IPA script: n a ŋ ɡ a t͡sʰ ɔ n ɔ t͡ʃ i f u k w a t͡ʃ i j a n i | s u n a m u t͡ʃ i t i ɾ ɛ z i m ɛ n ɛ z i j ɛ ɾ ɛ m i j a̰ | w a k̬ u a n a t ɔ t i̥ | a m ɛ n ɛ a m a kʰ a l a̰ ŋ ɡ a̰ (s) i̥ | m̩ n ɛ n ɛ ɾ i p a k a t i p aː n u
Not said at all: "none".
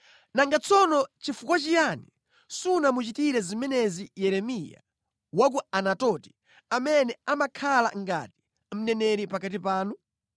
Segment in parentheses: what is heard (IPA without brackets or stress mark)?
t